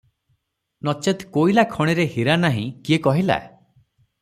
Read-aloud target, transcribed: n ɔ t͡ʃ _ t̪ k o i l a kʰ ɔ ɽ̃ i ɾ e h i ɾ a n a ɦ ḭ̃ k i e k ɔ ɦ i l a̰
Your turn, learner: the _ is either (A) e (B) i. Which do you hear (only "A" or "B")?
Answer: A